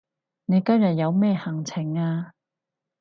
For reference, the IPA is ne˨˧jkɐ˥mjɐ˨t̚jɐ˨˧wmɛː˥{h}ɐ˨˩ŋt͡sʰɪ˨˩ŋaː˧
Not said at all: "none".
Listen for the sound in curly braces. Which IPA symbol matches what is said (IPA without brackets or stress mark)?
h